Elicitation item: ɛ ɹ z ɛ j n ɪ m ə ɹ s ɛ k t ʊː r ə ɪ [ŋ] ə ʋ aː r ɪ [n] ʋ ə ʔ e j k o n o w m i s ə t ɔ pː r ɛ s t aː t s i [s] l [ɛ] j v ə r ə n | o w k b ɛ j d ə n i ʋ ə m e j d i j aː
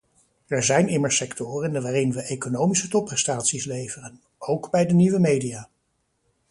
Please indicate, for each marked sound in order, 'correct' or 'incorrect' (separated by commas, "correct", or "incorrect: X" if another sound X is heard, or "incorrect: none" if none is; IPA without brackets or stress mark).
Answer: incorrect: n, correct, correct, incorrect: e